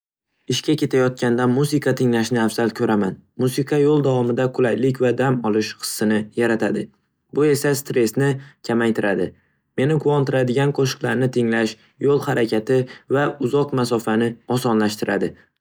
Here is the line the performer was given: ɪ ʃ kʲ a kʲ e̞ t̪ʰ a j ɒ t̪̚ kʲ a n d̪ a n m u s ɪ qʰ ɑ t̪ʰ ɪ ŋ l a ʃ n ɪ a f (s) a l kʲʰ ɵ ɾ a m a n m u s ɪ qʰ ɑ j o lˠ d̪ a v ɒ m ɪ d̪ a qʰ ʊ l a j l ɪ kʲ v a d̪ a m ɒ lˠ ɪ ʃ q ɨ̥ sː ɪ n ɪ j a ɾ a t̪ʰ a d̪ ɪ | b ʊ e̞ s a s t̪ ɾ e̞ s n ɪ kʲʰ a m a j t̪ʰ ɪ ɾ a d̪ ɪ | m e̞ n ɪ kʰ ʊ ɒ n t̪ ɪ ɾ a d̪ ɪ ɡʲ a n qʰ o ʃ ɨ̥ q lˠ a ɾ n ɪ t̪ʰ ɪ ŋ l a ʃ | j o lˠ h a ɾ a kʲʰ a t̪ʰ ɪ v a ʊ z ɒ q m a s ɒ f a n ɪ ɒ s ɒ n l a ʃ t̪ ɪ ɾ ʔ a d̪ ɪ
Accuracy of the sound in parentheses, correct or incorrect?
incorrect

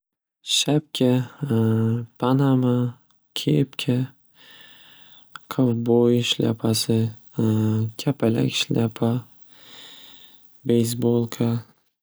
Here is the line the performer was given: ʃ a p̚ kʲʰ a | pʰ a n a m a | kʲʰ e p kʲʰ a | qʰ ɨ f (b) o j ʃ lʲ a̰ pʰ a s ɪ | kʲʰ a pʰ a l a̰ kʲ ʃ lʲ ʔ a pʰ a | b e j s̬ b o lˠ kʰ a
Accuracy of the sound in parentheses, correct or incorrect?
correct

